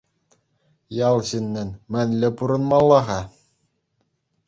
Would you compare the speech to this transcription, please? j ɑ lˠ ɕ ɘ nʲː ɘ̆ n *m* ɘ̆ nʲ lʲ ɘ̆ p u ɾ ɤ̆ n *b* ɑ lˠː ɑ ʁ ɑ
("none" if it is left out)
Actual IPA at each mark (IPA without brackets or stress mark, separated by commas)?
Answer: m, m